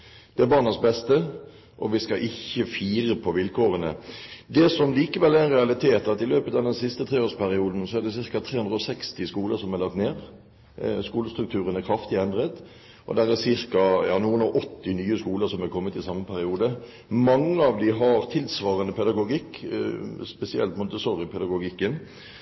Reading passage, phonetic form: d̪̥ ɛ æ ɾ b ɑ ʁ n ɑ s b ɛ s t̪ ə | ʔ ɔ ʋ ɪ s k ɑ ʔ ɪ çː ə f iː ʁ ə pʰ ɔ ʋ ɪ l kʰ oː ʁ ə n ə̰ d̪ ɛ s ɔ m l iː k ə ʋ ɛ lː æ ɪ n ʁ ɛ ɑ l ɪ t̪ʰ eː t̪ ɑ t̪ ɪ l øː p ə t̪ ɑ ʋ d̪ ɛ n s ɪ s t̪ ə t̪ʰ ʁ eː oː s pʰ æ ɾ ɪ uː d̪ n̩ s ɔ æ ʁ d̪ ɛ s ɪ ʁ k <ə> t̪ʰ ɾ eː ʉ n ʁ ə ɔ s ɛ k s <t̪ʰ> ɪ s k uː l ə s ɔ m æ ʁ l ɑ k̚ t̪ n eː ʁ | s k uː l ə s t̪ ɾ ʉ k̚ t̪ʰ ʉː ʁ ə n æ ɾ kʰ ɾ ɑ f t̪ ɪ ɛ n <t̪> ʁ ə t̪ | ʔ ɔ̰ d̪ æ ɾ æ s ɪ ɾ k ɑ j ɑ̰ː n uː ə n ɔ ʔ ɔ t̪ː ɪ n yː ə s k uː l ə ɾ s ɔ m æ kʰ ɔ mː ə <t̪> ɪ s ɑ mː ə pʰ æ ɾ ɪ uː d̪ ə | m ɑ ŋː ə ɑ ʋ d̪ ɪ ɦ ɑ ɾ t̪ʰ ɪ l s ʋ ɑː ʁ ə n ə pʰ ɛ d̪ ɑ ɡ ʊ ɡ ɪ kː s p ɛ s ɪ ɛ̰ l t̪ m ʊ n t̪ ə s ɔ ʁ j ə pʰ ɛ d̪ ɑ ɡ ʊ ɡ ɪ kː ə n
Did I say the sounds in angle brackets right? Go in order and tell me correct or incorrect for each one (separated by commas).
incorrect, incorrect, incorrect, correct